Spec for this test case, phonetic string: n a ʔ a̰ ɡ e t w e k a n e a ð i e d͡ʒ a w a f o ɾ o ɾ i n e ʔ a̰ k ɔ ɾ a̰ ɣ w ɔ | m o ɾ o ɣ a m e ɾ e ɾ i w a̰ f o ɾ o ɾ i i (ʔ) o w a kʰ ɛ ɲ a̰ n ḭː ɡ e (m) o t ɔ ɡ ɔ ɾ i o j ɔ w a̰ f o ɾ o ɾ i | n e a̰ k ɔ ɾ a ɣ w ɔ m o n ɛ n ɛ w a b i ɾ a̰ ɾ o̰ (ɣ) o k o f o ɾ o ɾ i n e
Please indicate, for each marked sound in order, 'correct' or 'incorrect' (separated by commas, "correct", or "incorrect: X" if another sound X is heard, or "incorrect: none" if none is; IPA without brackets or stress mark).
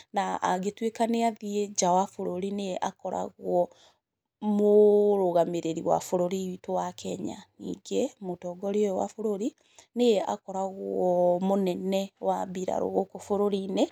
incorrect: t, correct, correct